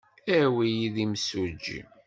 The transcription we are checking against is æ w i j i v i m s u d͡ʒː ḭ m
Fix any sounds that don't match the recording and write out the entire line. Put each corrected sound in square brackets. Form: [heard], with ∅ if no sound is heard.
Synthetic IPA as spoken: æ w i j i [ð] i m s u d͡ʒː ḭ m